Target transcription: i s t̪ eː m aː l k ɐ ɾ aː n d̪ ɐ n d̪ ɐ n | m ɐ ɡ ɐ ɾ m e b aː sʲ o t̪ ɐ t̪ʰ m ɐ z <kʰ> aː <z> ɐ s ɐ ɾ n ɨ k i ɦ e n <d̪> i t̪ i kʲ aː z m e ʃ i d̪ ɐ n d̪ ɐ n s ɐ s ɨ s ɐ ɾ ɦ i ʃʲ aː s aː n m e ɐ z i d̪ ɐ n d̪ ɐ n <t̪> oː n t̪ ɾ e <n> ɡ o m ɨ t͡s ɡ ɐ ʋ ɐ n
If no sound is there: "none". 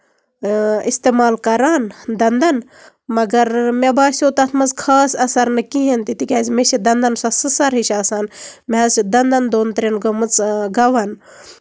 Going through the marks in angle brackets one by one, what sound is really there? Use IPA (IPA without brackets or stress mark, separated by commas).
kʰ, s, t̪, d̪, n